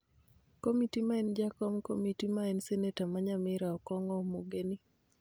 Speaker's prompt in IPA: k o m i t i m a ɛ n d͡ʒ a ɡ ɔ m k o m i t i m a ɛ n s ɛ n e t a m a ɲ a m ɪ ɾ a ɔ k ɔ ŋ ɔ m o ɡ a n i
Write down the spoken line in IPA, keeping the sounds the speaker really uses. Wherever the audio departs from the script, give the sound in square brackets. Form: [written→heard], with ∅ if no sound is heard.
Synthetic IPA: k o m i t i m a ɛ n d͡ʒ a [ɡ→k] ɔ m k o m i t i m a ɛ n s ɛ n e t a m a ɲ a m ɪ ɾ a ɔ k ɔ ŋ ɔ m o ɡ [a→e] n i